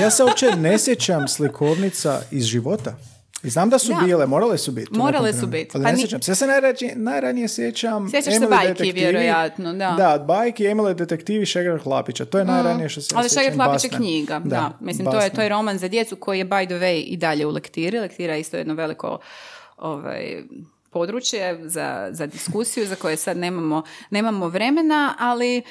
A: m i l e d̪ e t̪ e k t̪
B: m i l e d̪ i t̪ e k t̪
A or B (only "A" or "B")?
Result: A